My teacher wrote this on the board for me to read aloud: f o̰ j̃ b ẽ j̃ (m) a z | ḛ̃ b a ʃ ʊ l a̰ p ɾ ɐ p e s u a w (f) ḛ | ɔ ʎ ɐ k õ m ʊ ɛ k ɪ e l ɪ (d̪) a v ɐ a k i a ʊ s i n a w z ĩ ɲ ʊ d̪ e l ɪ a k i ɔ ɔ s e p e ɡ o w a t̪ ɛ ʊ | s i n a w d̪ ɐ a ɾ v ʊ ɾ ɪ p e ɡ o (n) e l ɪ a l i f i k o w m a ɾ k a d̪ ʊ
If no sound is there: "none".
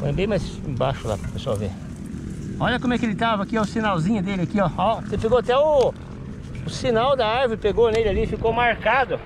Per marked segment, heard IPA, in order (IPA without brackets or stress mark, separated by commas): m, v, t̪, n